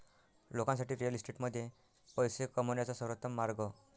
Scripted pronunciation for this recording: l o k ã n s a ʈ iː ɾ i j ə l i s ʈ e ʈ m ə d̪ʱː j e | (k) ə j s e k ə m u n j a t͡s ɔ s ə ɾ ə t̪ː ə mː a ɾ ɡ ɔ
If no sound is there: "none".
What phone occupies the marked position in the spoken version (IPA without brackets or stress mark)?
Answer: p